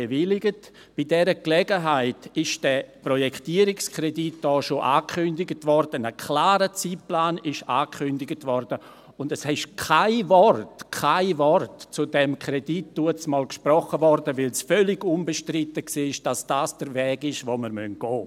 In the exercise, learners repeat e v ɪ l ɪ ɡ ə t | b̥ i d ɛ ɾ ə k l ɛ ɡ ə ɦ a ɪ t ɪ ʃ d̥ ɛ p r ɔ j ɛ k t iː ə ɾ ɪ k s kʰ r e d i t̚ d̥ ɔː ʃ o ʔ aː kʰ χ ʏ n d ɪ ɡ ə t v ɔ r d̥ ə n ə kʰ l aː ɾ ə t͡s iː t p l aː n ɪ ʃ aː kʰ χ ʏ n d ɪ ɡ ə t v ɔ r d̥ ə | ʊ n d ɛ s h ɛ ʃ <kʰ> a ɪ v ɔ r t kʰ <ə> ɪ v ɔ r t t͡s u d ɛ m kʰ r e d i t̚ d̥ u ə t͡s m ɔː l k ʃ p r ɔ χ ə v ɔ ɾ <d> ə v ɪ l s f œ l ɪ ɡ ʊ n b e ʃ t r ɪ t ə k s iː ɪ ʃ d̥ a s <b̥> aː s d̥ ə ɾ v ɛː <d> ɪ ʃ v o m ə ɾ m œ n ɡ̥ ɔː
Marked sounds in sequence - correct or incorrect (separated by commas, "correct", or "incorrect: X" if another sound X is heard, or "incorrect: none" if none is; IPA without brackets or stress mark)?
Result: correct, incorrect: a, correct, incorrect: d̥, incorrect: ɡ